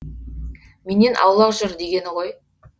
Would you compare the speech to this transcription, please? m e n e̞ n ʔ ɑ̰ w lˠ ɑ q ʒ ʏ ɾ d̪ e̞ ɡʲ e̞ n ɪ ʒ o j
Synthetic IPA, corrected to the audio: m e n e̞ n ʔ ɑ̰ w lˠ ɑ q ʒ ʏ ɾ d̪ e̞ ɡʲ e̞ n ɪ ʁ o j